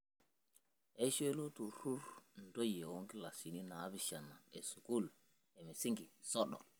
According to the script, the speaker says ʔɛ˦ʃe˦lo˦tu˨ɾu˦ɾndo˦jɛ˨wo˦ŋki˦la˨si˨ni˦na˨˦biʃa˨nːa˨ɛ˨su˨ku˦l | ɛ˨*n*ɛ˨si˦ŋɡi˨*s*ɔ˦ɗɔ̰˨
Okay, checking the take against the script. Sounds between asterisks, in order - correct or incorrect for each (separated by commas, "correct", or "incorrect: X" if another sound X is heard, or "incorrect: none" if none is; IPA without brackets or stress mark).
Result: incorrect: m, correct